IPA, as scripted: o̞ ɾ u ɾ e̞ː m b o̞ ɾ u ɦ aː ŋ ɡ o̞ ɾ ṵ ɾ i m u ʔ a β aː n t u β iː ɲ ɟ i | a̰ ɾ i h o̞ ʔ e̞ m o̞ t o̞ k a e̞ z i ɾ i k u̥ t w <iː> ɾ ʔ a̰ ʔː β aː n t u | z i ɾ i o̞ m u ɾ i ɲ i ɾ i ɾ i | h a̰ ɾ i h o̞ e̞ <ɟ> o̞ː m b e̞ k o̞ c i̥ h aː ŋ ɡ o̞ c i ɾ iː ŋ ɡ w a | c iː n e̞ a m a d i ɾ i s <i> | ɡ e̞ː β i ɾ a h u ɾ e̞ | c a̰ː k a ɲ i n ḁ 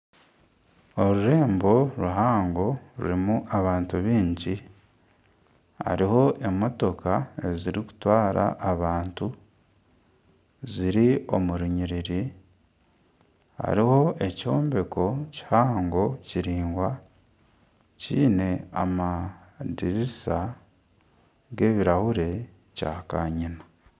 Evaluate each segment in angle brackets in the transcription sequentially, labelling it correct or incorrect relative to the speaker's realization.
incorrect: aː, incorrect: c, incorrect: a

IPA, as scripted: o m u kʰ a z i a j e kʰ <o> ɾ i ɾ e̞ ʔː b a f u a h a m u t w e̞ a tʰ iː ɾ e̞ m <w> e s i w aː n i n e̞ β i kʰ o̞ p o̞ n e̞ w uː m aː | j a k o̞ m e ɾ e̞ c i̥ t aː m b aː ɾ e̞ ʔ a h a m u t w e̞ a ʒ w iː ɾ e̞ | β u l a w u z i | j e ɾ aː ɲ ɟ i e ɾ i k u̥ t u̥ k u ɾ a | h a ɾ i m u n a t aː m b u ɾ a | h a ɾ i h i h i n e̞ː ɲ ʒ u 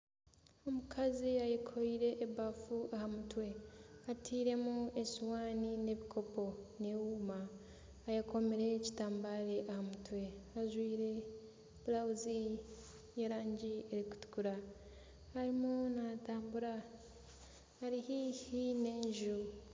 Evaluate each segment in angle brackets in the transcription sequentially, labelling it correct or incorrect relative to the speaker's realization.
correct, incorrect: u

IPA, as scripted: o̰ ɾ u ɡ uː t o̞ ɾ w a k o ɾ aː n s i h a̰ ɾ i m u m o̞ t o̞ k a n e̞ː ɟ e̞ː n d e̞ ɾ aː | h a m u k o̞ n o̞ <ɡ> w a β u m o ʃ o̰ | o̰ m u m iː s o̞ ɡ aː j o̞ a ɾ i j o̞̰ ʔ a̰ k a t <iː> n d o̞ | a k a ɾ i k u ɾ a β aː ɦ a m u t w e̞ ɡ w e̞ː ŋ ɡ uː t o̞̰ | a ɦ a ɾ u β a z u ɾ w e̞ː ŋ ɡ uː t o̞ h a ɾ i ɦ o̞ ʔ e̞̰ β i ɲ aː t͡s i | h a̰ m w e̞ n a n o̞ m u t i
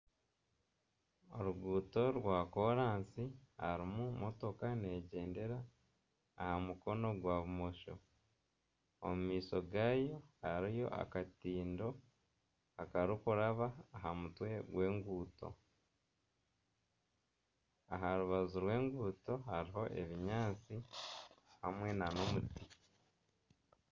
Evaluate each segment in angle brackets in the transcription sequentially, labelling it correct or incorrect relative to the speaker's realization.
correct, correct

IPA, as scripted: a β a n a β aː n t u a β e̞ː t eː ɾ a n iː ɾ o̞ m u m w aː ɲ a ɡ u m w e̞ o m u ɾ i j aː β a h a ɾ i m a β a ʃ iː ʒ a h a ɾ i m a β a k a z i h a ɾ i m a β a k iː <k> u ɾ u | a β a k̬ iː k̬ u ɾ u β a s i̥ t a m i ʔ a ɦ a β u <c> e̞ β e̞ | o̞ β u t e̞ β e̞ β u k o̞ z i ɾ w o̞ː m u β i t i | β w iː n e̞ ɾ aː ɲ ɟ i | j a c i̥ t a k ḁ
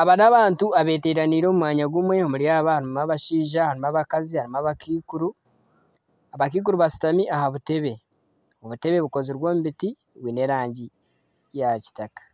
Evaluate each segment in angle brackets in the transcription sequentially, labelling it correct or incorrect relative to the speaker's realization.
correct, incorrect: t

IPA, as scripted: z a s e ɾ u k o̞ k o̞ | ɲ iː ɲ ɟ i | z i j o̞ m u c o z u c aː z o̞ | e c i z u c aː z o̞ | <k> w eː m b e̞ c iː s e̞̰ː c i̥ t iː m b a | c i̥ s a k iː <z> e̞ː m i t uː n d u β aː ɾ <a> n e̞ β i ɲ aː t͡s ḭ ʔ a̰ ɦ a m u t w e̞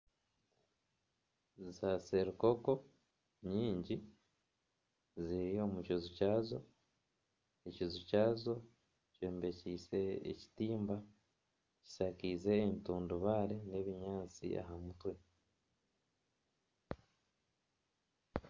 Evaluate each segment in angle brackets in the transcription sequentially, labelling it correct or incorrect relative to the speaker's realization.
incorrect: c, correct, incorrect: e

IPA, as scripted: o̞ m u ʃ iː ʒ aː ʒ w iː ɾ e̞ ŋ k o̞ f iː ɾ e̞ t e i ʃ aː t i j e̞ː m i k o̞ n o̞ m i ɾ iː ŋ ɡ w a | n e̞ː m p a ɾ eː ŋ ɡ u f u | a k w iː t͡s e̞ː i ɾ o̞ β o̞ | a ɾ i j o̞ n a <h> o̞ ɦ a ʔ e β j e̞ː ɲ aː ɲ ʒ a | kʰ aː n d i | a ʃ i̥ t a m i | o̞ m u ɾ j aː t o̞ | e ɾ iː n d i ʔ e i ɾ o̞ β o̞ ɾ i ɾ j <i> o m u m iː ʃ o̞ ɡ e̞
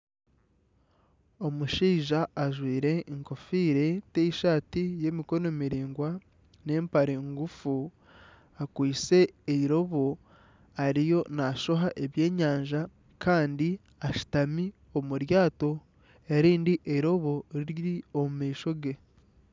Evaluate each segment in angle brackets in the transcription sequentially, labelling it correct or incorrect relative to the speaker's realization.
incorrect: ʃ, correct

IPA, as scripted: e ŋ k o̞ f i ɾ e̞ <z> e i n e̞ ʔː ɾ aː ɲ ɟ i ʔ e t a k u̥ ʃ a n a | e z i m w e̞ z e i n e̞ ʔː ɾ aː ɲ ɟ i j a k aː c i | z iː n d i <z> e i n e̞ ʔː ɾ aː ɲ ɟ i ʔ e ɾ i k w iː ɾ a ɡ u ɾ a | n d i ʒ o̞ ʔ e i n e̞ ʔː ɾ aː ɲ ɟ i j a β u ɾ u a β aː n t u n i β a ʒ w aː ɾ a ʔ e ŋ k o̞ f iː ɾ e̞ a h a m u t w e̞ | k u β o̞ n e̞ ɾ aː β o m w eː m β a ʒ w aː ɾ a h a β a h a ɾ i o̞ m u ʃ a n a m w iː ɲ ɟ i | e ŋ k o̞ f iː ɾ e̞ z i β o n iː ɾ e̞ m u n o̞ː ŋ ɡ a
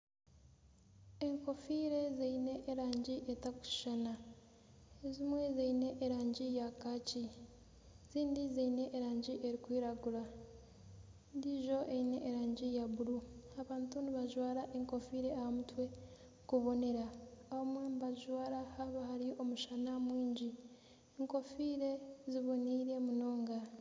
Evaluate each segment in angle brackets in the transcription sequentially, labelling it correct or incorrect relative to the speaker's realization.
correct, correct

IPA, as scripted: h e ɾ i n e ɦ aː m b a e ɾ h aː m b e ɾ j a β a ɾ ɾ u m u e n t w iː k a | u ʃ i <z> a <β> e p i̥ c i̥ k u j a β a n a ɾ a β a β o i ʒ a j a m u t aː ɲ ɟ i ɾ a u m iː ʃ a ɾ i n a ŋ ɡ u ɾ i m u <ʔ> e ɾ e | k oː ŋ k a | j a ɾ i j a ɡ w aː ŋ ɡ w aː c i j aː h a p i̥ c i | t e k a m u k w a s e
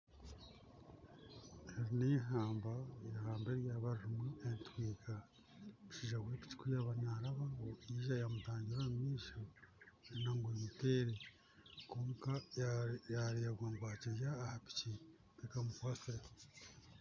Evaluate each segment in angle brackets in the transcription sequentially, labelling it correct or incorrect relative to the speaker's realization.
incorrect: ʒ, incorrect: w, incorrect: t

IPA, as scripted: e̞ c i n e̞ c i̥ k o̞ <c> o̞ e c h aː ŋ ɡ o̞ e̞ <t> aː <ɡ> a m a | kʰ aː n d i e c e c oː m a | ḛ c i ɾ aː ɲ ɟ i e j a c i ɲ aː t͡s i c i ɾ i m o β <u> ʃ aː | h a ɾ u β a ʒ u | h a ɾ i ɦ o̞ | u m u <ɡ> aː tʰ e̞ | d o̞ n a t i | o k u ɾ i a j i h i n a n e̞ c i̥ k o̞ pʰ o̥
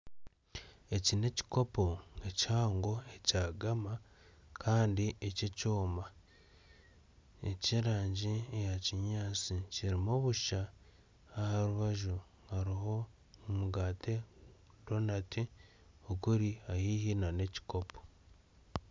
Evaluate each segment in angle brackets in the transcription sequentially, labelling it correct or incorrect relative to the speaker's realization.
incorrect: p, incorrect: c, correct, correct, correct

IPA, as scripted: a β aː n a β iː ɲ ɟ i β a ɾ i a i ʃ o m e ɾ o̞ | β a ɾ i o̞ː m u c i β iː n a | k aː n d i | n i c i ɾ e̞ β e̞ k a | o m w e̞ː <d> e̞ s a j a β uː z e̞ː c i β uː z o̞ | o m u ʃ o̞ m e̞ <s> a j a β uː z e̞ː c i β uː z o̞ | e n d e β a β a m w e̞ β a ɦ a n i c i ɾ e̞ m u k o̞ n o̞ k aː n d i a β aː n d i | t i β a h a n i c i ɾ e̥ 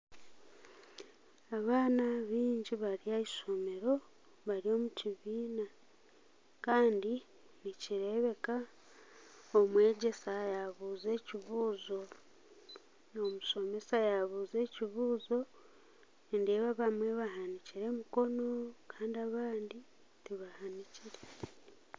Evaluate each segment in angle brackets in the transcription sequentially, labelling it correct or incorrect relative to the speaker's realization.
incorrect: ɟ, correct

